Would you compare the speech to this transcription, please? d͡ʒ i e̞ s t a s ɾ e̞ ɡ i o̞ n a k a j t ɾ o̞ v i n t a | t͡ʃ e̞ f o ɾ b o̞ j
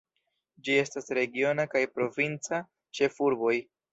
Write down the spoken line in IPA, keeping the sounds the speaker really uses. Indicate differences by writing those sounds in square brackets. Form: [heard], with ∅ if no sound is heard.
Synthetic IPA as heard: d͡ʒ i e̞ s t a s ɾ e̞ ɡ i o̞ n a k a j [p] ɾ o̞ v i n [t͡s] a | t͡ʃ e̞ f [u] ɾ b o̞ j